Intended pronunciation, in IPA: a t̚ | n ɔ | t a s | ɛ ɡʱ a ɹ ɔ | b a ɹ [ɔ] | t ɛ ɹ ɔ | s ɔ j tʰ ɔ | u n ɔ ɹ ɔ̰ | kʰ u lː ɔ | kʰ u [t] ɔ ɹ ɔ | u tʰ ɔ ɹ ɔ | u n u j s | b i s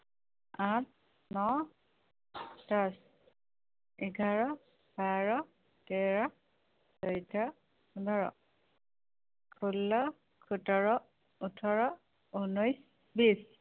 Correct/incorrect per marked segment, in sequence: correct, correct

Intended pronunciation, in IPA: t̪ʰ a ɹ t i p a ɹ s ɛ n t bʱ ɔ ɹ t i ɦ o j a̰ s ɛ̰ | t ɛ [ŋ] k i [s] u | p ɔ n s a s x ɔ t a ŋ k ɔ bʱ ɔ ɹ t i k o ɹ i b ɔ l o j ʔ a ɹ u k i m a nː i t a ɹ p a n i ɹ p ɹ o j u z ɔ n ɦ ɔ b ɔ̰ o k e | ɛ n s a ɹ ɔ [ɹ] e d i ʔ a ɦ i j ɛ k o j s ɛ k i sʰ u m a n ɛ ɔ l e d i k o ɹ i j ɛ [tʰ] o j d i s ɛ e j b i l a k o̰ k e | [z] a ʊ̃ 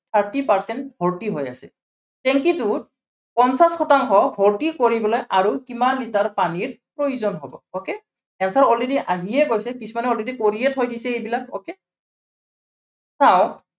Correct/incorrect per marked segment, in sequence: correct, incorrect, incorrect, correct, incorrect

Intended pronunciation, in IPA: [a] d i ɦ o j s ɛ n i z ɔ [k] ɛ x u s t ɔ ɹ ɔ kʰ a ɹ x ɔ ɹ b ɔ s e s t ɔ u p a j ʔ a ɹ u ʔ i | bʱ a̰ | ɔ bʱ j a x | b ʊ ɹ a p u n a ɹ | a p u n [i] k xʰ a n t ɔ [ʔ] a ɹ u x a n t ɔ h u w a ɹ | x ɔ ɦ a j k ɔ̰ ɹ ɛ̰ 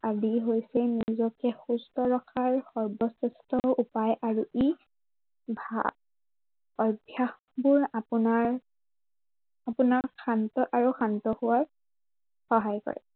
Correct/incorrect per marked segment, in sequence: correct, correct, incorrect, correct

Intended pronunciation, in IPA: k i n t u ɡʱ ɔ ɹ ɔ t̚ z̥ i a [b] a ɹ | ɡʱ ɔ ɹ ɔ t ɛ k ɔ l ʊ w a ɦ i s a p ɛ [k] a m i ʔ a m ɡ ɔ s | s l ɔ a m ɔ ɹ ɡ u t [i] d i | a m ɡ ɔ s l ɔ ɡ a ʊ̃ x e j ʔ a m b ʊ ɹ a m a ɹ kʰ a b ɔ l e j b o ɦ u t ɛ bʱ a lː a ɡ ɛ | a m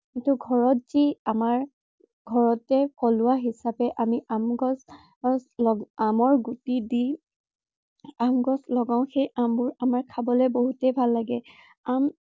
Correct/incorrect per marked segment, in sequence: incorrect, incorrect, correct

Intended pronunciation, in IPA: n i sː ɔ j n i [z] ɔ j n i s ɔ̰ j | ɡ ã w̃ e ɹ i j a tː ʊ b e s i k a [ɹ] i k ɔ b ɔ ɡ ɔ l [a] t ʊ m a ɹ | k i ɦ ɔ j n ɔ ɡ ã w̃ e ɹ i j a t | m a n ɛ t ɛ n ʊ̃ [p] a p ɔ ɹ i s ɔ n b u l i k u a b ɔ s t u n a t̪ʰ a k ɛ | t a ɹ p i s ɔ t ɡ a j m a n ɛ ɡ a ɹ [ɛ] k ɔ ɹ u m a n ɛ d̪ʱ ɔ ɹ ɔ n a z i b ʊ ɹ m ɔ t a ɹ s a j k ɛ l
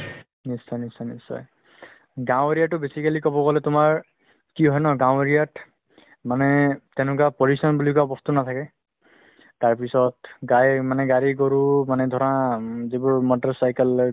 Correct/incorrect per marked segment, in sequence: incorrect, incorrect, incorrect, incorrect, incorrect

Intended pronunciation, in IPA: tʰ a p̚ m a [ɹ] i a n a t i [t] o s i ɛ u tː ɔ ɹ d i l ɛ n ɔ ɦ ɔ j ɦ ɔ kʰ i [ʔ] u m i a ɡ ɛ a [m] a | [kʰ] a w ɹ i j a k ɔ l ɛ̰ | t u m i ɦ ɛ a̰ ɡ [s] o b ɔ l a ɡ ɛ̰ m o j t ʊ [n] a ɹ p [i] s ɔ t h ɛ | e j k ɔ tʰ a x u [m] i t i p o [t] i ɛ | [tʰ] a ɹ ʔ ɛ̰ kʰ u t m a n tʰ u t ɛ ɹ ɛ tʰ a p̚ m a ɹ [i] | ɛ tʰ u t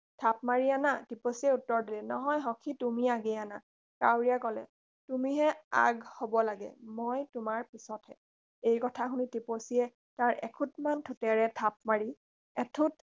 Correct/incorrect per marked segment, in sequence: correct, incorrect, incorrect, incorrect, incorrect, incorrect, incorrect, correct, incorrect, incorrect, incorrect, correct

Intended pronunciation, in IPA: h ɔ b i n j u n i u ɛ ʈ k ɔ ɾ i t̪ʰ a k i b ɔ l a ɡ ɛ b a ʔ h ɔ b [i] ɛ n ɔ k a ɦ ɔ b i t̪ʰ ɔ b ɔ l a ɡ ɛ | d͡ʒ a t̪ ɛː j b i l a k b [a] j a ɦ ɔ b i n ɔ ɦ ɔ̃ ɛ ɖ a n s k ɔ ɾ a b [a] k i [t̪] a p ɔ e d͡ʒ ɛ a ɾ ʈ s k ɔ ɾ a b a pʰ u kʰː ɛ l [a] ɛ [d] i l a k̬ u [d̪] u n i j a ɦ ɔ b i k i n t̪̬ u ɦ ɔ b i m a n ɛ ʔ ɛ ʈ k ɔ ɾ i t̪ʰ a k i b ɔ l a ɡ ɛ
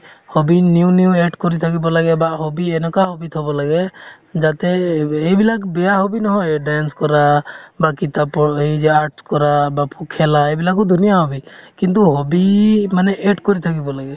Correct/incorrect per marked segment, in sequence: correct, incorrect, correct, correct, correct, incorrect, correct

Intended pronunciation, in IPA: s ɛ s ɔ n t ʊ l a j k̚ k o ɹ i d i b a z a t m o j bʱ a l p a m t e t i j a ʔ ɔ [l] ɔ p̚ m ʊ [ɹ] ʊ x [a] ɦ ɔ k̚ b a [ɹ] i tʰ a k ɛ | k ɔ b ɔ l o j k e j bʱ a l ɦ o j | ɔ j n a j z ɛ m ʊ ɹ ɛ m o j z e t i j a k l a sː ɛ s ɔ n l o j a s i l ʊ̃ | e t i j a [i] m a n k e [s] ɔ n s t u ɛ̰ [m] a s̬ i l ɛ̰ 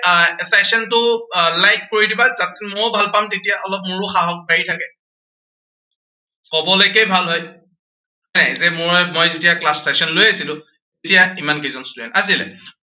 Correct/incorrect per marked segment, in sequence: correct, correct, correct, correct, correct, incorrect, incorrect

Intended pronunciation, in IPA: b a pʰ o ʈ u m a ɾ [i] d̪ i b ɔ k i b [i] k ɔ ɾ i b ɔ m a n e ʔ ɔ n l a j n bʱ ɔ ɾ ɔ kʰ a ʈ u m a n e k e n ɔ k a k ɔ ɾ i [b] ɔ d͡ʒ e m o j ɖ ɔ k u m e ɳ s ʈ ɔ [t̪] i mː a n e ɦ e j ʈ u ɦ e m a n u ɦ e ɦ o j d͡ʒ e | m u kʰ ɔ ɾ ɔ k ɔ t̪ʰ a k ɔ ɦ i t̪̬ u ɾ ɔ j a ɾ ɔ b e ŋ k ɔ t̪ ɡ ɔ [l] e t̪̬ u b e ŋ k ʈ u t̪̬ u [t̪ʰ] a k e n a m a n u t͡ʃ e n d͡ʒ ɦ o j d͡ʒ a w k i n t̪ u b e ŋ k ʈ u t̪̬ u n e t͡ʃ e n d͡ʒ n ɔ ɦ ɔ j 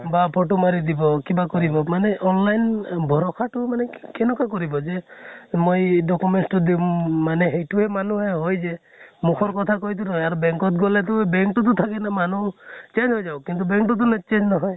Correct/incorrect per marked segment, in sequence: correct, incorrect, correct, incorrect, correct, correct

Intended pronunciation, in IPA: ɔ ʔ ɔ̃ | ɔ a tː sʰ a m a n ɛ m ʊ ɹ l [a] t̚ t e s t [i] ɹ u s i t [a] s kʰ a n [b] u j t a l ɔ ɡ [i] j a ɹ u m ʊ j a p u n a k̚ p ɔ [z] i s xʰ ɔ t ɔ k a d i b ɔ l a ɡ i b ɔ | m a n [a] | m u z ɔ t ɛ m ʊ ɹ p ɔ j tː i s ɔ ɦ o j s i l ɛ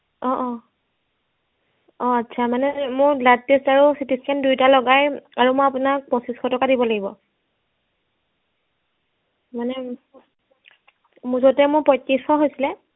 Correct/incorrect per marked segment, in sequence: correct, incorrect, incorrect, incorrect, incorrect, incorrect, incorrect

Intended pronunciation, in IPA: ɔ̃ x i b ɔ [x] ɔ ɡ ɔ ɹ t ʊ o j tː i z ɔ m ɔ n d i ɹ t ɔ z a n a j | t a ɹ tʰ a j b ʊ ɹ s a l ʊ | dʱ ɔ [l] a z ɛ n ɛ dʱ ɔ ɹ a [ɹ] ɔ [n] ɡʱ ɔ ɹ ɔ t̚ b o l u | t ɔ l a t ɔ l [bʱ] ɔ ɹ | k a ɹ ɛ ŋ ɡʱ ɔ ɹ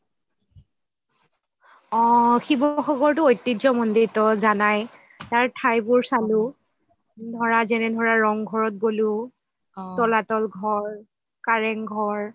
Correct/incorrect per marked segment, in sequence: correct, incorrect, correct, incorrect, incorrect

